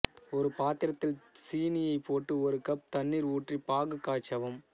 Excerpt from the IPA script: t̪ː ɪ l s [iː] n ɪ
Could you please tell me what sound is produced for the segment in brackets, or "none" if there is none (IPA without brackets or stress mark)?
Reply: iː